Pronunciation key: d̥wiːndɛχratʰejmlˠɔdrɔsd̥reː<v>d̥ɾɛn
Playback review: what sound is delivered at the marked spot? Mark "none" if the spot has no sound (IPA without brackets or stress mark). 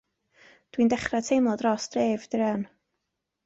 v